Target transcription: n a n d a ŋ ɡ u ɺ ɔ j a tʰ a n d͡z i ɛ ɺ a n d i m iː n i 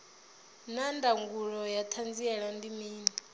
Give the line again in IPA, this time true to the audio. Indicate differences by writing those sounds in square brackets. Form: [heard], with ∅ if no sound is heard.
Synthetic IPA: n a n d a ŋ ɡ u ɺ ɔ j a tʰ a n d͡z i ɛ ɺ a n d i m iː n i